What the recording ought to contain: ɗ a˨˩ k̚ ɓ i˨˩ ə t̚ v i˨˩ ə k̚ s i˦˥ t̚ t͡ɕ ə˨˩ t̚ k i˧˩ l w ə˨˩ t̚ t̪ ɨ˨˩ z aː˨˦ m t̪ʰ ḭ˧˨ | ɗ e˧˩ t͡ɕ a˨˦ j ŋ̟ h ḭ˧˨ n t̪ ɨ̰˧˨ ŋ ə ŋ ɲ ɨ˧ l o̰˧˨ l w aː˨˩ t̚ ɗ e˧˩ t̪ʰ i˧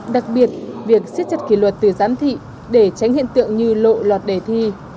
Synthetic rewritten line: ɗ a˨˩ k̚ ɓ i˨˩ ə t̚ v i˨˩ ə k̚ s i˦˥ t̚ t͡ɕ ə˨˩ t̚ k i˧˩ l w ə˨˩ t̚ t̪ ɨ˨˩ z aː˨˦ m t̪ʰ ḭ˧˨ | ɗ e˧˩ t͡ɕ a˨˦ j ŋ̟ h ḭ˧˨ n t̪ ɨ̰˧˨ ə ŋ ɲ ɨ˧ l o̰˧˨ l w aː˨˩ t̚ ɗ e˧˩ t̪ʰ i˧